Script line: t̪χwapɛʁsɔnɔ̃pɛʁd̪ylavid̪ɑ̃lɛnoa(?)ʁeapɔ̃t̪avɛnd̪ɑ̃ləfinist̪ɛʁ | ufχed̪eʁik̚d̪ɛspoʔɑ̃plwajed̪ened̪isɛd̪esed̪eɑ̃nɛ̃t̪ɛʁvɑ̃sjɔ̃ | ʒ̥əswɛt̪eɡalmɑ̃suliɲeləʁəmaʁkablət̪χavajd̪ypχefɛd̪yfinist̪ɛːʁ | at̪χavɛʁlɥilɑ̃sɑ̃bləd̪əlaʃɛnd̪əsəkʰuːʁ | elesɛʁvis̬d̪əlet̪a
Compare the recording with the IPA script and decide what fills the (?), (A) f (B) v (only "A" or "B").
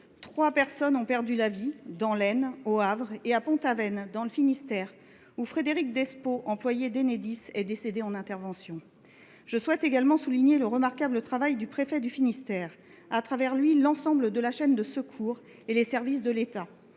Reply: B